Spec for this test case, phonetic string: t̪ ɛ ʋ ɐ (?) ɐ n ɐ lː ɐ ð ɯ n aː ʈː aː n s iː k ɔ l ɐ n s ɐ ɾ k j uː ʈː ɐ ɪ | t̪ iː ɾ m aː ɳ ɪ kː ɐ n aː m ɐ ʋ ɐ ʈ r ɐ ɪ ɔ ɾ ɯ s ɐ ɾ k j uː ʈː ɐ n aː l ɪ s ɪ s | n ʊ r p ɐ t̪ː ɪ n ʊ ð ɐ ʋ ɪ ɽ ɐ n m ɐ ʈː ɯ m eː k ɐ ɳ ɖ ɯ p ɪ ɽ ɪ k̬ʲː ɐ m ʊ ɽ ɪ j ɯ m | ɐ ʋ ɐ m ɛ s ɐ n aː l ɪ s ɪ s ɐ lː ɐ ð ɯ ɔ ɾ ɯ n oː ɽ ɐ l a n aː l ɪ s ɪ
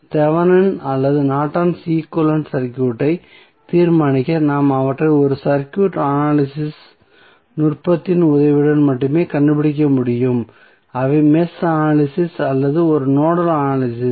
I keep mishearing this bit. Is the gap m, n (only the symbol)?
n